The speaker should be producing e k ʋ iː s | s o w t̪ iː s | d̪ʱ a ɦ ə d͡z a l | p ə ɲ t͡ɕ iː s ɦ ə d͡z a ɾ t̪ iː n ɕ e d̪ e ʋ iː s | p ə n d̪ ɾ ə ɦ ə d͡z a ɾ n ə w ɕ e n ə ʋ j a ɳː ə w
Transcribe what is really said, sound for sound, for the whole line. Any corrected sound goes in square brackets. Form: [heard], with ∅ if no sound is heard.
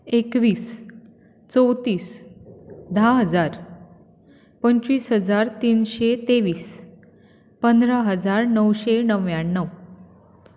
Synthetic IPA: e k ʋ iː s | [t͡s] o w t̪ iː s | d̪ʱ a ɦ ə d͡z a [ɾ] | p ə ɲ t͡ɕ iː s ɦ ə d͡z a ɾ t̪ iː n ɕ e [t̪] e ʋ iː s | p ə n d̪ ɾ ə ɦ ə d͡z a ɾ n ə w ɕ e n ə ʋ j a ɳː ə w